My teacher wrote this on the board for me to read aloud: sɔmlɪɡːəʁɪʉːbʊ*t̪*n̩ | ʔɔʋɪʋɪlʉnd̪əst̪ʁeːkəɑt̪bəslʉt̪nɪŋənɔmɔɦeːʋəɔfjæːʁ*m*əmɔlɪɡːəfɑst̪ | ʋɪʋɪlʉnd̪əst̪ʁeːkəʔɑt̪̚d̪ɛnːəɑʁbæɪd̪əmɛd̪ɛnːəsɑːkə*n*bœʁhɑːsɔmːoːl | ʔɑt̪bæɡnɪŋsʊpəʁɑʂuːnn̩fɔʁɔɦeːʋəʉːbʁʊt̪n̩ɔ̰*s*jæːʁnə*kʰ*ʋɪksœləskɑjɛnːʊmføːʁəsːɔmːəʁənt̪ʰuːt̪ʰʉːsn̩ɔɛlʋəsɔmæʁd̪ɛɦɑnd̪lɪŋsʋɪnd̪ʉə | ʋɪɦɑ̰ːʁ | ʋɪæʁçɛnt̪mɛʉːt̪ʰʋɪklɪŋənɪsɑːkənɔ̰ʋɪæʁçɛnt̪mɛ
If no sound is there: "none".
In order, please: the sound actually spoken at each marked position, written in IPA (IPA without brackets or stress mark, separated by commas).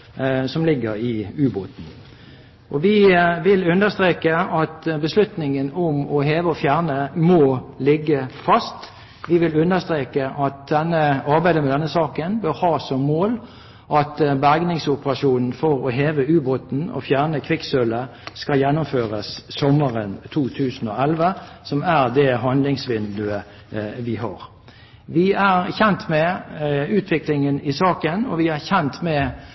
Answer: t̪, n, n, f, kʰ